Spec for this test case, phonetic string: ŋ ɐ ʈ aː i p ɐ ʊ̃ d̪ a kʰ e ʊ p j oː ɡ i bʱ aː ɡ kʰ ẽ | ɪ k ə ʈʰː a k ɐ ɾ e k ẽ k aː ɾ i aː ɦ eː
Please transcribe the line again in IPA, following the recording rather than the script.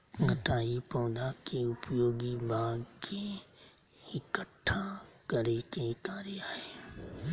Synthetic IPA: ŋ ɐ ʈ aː i p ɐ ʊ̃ d̪ a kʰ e ʊ p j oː ɡ i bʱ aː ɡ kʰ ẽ | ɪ k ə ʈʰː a k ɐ ɾ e k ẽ k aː ɾ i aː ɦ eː